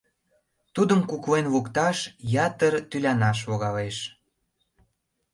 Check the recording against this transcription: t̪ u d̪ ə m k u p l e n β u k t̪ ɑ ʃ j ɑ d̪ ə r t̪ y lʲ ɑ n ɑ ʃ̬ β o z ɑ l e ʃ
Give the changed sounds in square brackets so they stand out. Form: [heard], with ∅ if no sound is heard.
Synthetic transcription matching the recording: t̪ u d̪ ə m k u [k] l e n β u k t̪ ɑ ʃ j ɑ [t̪] ə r t̪ y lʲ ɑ n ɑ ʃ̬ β o [ɣ] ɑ l e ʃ